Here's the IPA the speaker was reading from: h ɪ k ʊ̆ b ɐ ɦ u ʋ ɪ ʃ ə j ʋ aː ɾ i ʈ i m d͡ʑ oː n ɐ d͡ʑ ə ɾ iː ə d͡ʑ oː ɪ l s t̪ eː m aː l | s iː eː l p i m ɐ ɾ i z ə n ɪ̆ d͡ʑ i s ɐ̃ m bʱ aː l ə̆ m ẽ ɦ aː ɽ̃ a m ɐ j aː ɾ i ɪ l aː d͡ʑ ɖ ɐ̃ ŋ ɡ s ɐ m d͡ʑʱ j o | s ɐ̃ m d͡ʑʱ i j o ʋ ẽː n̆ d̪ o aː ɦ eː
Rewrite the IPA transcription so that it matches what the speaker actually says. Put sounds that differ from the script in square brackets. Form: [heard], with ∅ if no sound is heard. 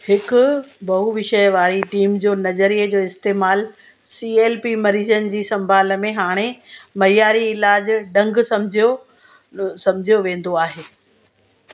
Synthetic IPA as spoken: h ɪ k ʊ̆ b ɐ ɦ u ʋ ɪ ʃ ə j ʋ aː ɾ i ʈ [iː] m d͡ʑ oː n ɐ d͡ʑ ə ɾ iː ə d͡ʑ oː ɪ [∅] s t̪ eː m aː l | s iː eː l p i m ɐ ɾ [iː] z ə n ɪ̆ d͡ʑ [iː] s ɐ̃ m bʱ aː l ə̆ m ẽ ɦ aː ɽ̃ [e] m ɐ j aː ɾ i ɪ l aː d͡ʑ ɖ ɐ̃ ŋ ɡ s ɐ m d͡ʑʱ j o | s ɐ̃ m d͡ʑʱ i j o ʋ ẽː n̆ d̪ o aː ɦ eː

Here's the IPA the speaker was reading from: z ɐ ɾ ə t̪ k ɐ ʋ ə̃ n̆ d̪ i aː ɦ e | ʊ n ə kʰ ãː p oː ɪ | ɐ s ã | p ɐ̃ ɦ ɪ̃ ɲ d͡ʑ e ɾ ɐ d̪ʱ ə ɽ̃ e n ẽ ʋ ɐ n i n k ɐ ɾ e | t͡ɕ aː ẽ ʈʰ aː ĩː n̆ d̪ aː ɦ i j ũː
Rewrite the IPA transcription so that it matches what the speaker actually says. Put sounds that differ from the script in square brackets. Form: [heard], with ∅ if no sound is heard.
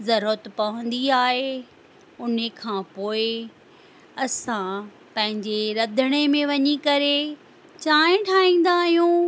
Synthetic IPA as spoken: z ɐ ɾ ə t̪ [p] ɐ ʋ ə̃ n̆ d̪ i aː ɦ e | ʊ n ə kʰ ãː p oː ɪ | ɐ s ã | p ɐ̃ ɦ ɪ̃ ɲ d͡ʑ e ɾ ɐ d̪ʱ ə ɽ̃ e [m] ẽ ʋ ɐ [ɲ] i [∅] k ɐ ɾ e | t͡ɕ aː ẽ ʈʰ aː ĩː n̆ d̪ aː ɦ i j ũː

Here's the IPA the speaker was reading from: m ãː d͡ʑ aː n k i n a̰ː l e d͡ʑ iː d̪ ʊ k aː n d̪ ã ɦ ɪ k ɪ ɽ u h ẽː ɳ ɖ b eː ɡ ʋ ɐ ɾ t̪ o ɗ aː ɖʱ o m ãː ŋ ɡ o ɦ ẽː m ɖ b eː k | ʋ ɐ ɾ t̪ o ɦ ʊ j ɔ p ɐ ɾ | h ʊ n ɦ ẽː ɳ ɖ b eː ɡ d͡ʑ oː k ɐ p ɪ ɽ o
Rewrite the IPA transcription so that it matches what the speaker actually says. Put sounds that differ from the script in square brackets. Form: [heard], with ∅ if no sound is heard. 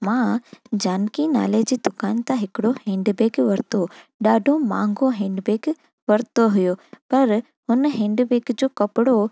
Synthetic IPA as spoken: m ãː d͡ʑ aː n k i n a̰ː l e d͡ʑ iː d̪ ʊ k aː n [t̪] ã ɦ ɪ k ɪ ɽ [o] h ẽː ɳ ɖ b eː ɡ ʋ ɐ ɾ t̪ o ɗ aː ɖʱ o m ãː ŋ ɡ o ɦ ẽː [ɳ] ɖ b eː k | ʋ ɐ ɾ t̪ o ɦ ʊ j [o] p ɐ ɾ | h ʊ n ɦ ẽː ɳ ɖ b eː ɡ d͡ʑ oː k ɐ p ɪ ɽ o

